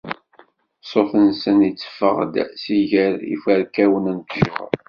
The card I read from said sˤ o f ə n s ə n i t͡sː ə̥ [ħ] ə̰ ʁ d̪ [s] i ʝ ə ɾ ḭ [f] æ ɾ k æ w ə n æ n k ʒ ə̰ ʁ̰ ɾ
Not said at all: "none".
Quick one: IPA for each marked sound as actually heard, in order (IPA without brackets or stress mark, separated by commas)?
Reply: f, s, f